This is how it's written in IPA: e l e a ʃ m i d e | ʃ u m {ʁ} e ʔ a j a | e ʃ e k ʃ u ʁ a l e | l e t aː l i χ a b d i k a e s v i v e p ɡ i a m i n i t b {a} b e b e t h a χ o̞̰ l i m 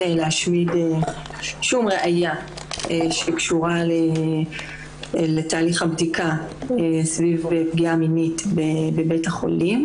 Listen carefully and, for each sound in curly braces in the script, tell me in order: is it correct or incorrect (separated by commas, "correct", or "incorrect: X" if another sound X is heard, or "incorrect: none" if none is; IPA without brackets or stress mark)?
correct, incorrect: e